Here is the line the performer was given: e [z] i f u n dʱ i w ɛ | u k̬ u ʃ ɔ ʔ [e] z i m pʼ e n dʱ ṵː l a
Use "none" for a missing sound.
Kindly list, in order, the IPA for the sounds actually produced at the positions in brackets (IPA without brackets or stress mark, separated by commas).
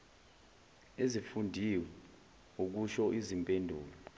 z, i